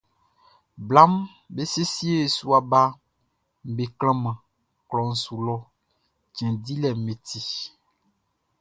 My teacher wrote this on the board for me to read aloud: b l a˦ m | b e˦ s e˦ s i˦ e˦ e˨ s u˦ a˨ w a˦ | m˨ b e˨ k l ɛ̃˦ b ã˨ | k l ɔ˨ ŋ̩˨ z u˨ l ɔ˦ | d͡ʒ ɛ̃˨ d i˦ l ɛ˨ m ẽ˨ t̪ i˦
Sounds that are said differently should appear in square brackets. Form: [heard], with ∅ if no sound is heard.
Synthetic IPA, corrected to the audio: b l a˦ m | b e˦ s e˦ s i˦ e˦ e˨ s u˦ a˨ [b] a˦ | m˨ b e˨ k l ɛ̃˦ [m] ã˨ | k l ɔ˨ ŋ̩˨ [s] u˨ l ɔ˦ | d͡ʒ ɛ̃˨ d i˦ l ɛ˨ m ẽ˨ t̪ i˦

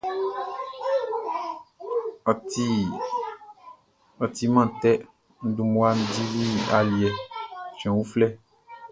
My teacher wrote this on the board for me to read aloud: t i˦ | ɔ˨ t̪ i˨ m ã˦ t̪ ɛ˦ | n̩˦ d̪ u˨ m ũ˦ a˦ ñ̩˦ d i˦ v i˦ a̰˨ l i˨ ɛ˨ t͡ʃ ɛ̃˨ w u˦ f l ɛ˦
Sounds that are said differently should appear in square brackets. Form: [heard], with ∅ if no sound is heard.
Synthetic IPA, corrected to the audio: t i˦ | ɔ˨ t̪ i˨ m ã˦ t̪ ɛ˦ | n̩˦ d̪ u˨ m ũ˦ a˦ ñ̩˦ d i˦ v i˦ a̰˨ l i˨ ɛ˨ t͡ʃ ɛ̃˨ w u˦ f l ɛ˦

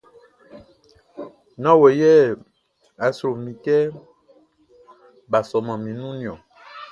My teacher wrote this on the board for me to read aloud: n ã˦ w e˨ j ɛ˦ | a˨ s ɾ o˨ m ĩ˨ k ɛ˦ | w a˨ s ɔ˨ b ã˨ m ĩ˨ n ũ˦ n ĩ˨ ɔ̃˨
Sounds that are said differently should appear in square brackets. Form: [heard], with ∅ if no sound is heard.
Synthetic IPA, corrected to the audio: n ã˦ w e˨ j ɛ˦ | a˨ s ɾ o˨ m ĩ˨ k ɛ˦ | [b] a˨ s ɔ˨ [m] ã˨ m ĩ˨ n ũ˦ n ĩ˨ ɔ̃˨

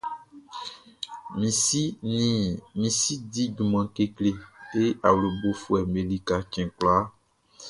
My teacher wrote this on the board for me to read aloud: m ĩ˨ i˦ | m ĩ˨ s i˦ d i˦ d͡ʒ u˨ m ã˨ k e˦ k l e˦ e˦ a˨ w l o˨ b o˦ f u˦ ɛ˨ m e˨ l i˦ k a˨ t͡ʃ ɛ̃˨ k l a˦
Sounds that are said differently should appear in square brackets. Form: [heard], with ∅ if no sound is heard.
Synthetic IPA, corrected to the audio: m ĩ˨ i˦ | m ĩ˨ s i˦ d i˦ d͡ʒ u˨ m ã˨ k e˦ k l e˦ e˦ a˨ w l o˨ b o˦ f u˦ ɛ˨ m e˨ l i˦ k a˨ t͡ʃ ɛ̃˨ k l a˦

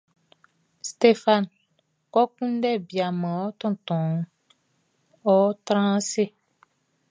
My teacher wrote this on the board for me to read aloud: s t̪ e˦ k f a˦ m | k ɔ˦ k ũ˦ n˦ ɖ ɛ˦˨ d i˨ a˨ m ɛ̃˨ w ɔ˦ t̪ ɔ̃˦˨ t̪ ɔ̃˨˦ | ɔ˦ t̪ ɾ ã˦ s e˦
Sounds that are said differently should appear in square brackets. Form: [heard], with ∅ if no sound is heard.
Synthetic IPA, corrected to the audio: s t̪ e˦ [∅] f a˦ [n] | k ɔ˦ k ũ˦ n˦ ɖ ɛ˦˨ [b] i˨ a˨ m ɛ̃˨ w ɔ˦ t̪ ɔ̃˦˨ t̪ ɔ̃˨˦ | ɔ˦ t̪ ɾ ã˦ s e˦

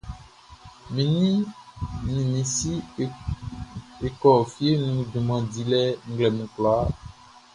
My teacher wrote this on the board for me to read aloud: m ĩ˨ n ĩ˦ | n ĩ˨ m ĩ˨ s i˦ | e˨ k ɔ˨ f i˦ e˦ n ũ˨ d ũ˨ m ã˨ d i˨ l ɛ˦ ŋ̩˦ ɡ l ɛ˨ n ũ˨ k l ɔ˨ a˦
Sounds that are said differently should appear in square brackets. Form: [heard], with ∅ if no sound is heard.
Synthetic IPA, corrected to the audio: m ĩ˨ n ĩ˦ | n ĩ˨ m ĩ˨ s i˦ | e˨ k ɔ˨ f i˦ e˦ n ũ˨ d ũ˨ m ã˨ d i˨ l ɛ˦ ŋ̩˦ ɡ l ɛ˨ [m] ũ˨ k l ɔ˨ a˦

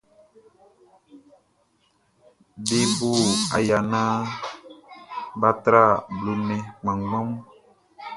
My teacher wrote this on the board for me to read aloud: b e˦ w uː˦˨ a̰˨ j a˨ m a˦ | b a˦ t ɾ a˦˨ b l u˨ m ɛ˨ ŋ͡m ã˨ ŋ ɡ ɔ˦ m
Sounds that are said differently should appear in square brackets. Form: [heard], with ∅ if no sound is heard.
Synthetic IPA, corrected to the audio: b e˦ [b] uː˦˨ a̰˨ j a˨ [n] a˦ | b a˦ t ɾ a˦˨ b l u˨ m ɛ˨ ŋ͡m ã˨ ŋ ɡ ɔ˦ m

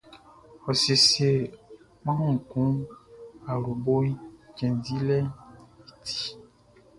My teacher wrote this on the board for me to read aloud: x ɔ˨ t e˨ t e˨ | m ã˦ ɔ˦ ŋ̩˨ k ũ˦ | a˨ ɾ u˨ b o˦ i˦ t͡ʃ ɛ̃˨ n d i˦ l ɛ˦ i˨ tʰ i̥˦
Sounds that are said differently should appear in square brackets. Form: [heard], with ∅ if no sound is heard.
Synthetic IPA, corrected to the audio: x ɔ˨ [s] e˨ [s] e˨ | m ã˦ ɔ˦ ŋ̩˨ k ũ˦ | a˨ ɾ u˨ b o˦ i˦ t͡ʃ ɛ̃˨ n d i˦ l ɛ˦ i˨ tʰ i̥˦

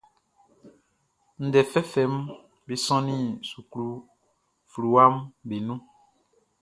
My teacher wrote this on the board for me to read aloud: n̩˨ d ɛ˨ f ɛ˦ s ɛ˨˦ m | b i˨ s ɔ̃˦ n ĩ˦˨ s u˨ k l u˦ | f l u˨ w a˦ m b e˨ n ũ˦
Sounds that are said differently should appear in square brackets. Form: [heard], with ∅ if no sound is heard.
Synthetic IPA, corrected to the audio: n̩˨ d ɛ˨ f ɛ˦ [f] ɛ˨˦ m | b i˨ s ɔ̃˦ n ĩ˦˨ s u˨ k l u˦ | f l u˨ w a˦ m b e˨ n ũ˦

